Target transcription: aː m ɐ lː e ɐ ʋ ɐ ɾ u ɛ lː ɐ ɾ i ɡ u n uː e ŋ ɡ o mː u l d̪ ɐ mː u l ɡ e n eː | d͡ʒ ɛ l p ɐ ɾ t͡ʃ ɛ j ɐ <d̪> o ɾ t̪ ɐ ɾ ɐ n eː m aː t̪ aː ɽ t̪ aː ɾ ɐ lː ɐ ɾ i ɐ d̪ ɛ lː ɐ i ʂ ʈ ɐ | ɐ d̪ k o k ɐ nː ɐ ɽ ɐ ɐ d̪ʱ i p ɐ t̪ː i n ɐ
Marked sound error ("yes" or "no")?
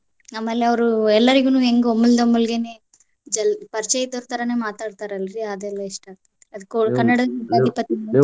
yes